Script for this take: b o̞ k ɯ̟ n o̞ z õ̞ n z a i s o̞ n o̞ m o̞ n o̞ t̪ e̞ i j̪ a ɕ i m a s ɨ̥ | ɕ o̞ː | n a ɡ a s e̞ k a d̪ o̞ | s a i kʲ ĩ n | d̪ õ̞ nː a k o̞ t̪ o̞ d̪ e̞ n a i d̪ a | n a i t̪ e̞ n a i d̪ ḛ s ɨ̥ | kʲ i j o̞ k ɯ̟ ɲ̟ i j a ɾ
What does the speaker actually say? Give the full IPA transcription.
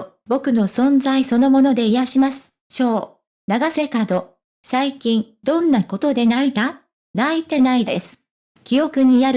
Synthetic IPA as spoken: b o̞ k ɯ̟ n o̞ s õ̞ n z a i s o̞ n o̞ m o̞ n o̞ d̪ e̞ i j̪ a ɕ i m a s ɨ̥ | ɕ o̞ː | n a ɡ a s e̞ k a d̪ o̞ | s a i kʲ ĩ n | d̪ õ̞ nː a k o̞ t̪ o̞ d̪ e̞ n a i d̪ a | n a i t̪ e̞ n a i d̪ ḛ s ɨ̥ | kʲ i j o̞ k ɯ̟ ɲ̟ i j a ɾ